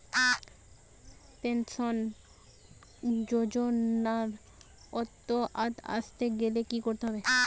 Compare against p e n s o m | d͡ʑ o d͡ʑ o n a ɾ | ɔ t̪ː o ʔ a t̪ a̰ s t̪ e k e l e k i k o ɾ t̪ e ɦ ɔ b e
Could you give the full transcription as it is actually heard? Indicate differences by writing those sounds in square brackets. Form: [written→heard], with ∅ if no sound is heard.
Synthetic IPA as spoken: p e n s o [m→n] | d͡ʑ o d͡ʑ o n a ɾ | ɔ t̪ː o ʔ a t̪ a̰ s t̪ e [k→ɡ] e l e k i k o ɾ t̪ e ɦ ɔ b e